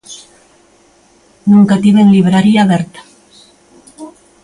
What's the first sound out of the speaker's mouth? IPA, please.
n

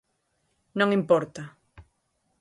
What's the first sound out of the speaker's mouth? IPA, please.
n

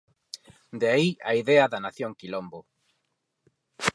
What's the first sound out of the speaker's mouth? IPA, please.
d̪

